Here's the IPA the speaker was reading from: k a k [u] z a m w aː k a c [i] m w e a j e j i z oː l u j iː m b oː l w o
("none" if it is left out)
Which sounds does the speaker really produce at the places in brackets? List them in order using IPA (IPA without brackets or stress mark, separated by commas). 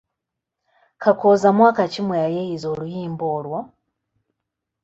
o, i